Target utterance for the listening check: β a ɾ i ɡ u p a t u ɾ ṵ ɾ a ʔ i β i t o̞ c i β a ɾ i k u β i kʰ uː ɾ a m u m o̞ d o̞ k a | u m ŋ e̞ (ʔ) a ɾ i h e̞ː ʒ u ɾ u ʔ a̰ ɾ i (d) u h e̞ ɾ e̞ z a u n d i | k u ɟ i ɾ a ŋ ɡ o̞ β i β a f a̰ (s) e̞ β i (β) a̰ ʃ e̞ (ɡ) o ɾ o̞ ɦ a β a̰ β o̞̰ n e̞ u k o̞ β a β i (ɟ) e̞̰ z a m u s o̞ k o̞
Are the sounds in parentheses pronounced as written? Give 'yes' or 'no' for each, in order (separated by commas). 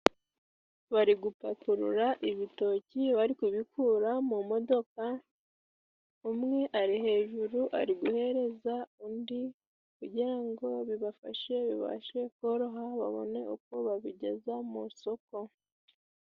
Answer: yes, no, no, yes, no, yes